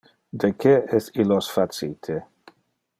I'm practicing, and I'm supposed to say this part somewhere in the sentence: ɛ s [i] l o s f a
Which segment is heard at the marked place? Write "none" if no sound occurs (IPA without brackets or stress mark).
i